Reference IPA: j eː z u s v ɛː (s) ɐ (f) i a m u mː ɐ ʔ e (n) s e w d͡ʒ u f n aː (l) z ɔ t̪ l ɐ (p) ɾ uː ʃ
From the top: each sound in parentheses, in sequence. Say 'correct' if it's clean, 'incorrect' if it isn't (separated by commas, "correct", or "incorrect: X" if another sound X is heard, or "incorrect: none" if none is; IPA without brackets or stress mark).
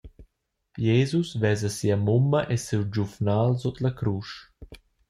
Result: incorrect: z, incorrect: s, incorrect: none, correct, incorrect: k